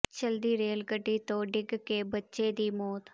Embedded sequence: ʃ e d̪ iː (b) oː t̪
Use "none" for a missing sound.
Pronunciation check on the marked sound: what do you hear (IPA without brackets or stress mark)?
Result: m